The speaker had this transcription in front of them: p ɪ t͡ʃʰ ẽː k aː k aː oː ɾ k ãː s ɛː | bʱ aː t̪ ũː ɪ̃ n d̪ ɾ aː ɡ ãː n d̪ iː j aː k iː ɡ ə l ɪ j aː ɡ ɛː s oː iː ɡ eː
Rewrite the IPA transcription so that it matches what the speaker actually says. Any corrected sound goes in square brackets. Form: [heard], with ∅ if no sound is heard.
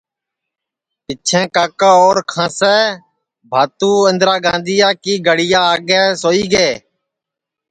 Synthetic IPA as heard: p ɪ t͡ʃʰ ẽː k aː k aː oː ɾ [kʰ] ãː s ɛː | bʱ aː t̪ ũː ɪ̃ n d̪ ɾ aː ɡ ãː n d̪ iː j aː k iː ɡ ə [ɽ] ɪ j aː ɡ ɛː s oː iː ɡ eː